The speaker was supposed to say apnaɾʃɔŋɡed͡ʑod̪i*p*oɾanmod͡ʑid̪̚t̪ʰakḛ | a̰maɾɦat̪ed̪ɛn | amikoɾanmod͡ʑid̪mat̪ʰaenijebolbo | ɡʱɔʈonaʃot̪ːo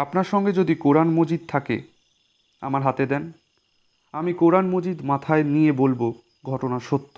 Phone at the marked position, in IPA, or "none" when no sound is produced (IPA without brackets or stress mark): k